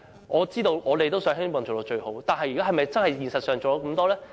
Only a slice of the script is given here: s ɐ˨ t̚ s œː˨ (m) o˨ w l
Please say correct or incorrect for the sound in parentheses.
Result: incorrect